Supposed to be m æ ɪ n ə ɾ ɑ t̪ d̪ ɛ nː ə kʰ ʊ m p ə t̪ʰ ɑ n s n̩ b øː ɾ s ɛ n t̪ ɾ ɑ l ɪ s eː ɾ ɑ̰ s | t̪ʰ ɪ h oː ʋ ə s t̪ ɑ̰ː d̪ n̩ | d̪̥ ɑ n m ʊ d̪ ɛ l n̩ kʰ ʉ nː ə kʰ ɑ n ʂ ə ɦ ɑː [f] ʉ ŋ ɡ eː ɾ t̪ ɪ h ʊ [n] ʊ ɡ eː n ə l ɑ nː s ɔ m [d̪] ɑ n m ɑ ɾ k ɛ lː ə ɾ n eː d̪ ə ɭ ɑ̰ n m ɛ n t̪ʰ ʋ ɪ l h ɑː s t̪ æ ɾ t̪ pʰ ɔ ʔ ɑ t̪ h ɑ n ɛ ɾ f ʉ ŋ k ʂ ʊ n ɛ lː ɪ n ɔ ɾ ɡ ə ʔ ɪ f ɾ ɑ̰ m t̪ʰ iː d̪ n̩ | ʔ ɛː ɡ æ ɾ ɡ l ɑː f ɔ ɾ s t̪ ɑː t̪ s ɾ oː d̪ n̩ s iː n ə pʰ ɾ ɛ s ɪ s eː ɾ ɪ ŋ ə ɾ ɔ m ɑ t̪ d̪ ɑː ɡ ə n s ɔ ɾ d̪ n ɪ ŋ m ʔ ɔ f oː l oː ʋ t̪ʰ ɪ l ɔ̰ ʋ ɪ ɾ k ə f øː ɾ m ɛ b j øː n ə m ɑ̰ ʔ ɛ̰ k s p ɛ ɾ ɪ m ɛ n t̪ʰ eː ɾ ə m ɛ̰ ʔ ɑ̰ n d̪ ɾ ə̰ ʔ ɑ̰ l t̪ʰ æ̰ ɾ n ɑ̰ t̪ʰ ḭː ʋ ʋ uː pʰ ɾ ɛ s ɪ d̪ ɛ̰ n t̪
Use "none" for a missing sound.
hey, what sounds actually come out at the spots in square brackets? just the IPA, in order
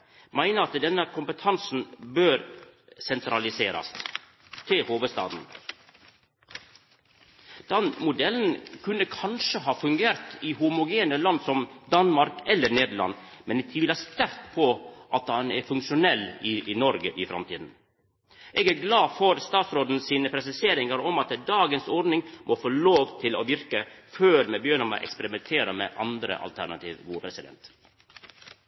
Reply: f, m, d̪

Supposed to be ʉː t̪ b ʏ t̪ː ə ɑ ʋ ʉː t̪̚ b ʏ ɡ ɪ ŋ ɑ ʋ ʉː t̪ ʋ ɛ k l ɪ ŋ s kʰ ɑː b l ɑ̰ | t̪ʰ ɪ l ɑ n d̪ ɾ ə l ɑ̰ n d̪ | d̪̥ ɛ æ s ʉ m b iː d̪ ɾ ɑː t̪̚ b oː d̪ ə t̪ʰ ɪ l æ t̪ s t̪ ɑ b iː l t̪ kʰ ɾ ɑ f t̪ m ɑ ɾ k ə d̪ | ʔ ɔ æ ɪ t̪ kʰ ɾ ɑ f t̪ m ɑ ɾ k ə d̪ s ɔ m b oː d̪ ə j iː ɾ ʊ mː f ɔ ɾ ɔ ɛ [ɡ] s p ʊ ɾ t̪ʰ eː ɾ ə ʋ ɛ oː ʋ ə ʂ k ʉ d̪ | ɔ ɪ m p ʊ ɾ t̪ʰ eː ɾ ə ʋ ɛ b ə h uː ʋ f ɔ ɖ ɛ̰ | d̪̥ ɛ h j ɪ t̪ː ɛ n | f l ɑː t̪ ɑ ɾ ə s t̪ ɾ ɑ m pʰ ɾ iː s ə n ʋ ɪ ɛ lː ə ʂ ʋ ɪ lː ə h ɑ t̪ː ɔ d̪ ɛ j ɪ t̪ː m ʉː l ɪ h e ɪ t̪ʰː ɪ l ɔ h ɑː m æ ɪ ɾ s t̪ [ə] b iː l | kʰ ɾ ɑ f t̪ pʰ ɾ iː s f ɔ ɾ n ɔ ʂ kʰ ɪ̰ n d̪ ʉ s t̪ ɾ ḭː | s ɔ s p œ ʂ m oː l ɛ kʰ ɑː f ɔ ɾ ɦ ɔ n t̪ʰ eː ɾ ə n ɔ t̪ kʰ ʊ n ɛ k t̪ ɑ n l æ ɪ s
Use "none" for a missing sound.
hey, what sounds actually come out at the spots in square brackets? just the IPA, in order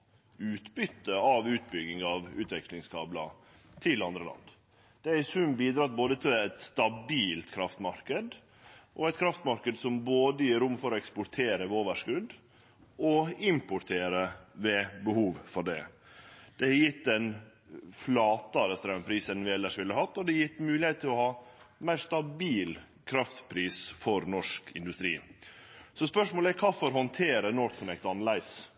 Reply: k, ɑ

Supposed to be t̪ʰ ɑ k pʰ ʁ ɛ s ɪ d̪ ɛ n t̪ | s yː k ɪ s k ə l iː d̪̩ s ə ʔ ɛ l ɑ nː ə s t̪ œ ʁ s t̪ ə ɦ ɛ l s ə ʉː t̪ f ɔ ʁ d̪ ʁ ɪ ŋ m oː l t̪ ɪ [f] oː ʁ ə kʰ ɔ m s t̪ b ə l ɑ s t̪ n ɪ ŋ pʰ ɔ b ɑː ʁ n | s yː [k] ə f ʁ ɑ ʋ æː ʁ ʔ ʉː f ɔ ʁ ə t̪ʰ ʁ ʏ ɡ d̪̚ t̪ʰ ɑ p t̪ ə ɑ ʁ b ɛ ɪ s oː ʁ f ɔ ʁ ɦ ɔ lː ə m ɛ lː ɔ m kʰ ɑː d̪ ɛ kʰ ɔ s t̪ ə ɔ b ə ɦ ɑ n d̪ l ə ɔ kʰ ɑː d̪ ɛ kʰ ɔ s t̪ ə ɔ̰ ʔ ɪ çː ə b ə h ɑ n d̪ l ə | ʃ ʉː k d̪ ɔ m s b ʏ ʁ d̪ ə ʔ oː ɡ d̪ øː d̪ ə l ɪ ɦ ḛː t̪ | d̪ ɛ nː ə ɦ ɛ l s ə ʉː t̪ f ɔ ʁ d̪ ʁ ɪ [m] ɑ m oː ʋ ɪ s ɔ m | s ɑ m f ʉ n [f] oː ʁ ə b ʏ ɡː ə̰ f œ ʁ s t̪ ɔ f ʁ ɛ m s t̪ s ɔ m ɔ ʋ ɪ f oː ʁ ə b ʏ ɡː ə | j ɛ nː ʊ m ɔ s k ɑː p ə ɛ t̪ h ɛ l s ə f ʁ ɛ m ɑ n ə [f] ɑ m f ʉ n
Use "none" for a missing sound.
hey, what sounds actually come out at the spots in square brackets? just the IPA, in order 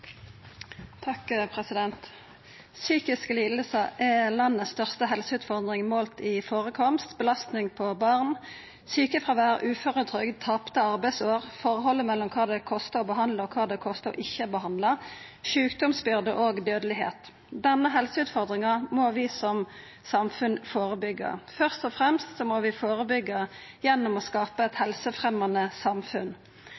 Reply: f, k, ŋ, f, s

